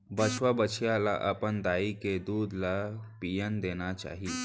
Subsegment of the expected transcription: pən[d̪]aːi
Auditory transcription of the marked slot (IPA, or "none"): d̪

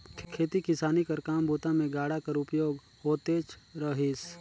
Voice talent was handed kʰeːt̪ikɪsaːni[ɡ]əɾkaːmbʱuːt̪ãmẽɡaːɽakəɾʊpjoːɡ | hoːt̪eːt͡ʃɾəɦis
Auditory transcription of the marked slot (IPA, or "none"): k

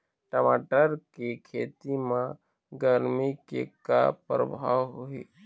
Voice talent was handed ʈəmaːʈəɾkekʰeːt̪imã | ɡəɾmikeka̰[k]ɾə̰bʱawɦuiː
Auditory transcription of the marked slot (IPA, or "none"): p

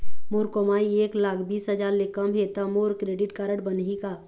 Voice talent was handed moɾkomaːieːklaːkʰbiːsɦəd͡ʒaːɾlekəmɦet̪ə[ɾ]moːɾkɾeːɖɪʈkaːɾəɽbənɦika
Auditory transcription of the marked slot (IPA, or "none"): none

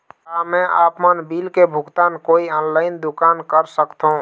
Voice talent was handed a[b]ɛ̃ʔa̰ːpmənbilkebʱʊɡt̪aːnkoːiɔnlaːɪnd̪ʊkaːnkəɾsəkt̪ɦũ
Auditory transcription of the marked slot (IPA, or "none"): m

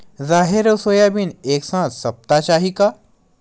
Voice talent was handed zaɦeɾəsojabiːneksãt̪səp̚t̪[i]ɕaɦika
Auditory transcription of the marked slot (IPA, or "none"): a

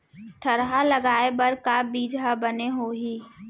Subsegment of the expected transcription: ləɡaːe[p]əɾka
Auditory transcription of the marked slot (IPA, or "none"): b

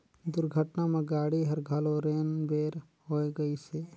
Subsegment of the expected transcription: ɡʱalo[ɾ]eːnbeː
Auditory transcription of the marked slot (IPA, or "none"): ɾ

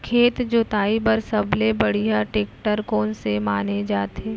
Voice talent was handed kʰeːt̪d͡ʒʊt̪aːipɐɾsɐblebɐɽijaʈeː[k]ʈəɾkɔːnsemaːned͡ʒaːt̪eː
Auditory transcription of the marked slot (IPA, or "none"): k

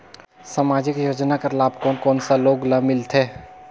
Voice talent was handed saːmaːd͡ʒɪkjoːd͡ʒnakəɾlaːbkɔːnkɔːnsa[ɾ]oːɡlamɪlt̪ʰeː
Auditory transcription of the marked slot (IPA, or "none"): l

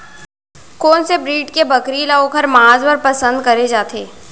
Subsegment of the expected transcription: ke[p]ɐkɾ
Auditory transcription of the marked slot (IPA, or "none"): b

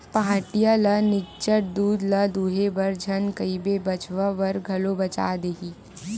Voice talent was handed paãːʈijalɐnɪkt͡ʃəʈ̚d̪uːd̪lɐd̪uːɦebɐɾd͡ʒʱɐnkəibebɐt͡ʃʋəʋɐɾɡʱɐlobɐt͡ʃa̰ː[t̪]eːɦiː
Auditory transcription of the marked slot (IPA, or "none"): d̪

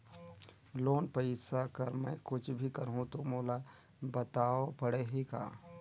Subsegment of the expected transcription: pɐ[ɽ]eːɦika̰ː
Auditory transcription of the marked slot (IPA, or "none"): ɽ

